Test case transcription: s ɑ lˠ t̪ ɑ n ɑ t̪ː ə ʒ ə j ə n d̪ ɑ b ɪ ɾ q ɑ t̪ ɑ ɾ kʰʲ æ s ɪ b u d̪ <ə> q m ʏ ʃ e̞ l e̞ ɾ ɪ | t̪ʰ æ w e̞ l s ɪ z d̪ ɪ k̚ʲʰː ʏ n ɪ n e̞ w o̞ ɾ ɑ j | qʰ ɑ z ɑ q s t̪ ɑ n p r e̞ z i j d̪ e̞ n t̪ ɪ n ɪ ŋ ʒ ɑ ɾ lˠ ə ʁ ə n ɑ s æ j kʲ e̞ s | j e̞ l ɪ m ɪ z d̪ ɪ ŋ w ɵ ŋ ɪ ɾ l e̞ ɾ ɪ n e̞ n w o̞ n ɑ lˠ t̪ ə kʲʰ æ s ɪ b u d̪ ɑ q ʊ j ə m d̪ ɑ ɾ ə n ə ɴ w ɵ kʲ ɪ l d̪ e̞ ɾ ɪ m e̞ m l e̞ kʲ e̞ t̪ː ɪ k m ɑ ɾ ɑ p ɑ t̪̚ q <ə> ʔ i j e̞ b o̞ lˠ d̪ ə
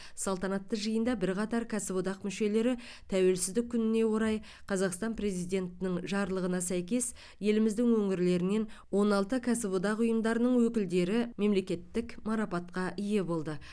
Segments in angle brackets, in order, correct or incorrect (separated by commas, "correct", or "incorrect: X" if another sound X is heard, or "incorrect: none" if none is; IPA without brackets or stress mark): incorrect: ɑ, incorrect: ɑ